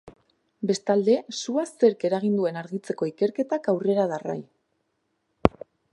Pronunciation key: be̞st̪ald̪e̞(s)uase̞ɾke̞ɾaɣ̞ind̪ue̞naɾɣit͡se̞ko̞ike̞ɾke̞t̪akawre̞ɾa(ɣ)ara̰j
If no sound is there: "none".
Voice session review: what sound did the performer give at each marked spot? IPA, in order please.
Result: s, ð

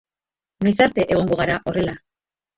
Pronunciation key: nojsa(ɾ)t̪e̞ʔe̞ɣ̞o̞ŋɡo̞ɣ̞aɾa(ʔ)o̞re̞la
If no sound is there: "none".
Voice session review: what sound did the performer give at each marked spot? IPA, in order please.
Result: ɾ, ʔ

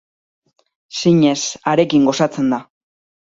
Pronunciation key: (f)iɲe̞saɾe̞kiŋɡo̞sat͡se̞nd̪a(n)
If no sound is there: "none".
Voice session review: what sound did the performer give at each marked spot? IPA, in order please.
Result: s, none

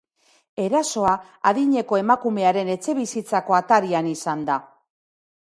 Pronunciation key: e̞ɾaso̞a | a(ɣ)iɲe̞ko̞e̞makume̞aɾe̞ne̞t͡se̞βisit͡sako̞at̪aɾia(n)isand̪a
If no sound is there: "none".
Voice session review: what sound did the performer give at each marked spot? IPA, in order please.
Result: ð, n

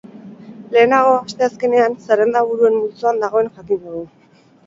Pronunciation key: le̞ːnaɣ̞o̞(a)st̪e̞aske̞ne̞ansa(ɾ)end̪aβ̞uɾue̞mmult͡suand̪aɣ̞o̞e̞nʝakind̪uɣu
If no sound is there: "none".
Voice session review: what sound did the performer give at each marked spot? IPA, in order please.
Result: a, ɾ

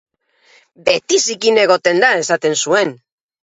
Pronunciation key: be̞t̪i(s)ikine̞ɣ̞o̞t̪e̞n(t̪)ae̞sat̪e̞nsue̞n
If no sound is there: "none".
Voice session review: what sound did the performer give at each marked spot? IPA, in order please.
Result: s, d̪

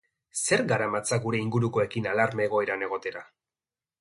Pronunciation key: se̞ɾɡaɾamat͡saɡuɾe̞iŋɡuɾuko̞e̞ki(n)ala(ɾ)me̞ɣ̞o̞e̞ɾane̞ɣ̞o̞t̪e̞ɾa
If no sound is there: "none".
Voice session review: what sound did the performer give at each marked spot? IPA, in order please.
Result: n, ɾ

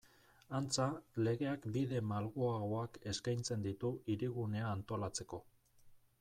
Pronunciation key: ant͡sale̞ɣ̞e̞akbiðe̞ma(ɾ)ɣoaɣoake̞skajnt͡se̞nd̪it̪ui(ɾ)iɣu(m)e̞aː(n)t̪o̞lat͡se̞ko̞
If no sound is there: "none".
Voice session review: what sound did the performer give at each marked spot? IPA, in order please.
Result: l, ɾ, n, n

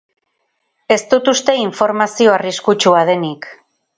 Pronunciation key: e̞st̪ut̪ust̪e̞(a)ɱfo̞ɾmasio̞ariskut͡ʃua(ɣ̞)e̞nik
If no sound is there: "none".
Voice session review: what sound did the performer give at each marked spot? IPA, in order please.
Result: i, ð̞

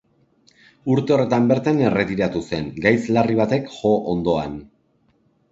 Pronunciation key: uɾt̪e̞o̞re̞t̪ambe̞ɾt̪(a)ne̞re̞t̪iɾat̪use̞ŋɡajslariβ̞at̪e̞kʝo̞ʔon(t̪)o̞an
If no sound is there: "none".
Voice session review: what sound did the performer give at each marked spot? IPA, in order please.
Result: a, d̪

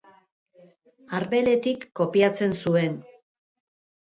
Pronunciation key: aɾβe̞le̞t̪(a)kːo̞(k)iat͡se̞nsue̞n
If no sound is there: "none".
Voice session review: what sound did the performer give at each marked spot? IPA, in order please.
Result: i, p

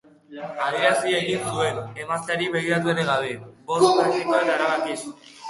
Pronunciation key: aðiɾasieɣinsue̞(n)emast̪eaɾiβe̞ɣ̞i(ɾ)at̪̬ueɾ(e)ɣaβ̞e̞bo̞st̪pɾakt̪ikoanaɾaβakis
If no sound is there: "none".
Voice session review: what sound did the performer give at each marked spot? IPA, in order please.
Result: n, ɾ, e

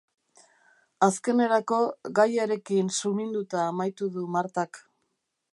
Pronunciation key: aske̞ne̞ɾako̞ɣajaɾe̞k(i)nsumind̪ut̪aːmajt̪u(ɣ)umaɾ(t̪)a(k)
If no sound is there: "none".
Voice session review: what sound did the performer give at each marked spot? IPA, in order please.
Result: i, ð, t̪, k

